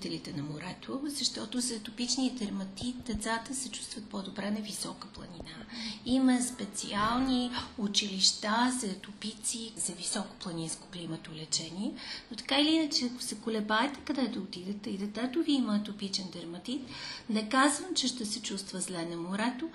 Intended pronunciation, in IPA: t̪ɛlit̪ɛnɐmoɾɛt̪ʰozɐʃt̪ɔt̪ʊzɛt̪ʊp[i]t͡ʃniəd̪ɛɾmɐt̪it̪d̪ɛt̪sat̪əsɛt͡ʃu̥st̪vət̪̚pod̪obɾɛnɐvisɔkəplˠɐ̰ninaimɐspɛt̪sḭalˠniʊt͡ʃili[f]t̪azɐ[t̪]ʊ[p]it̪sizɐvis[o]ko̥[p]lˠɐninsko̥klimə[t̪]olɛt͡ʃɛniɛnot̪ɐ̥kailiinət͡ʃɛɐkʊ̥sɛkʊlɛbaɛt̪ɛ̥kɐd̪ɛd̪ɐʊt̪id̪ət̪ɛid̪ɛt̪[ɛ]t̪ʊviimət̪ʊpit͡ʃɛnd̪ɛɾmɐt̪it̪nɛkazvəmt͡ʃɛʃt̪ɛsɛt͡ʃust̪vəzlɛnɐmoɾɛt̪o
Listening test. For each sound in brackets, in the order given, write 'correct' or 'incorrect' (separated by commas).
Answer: correct, incorrect, correct, correct, incorrect, correct, correct, correct